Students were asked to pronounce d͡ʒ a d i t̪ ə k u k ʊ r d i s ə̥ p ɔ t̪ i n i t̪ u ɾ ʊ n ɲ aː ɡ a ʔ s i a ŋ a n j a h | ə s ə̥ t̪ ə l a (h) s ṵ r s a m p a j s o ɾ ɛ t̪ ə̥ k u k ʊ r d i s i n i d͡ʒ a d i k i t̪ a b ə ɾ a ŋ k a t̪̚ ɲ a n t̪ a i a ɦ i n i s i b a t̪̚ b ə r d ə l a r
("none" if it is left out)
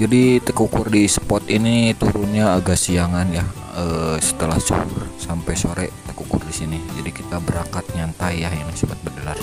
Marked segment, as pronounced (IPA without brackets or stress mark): h